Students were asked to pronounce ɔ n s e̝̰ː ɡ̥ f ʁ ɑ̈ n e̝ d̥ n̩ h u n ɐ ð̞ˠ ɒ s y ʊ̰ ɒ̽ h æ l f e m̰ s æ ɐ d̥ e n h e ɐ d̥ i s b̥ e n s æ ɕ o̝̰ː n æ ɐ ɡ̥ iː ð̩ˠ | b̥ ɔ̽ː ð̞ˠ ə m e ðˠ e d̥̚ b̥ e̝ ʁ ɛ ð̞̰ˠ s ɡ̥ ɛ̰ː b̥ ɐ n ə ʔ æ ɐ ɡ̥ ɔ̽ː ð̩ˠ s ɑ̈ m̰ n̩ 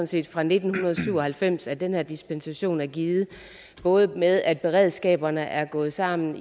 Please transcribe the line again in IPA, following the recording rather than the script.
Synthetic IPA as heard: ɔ n s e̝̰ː d̥ f ʁ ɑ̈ n e̝ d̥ n̩ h u n ɐ ð̞ˠ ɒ s y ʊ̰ ɒ̽ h æ l f e m̰ s æ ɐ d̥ e n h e ɐ d̥ i s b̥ e n s æ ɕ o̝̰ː n æ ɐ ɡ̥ iː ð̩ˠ | b̥ ɔ̽ː ð̞ˠ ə m e ðˠ æ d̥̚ b̥ e̝ ʁ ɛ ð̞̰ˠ s ɡ̥ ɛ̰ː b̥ ɐ n ə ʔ æ ɐ ɡ̥ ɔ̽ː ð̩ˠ s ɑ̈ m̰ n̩